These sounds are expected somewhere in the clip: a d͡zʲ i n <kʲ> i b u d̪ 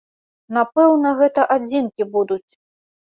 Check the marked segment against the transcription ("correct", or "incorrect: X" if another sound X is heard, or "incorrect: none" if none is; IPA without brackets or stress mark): correct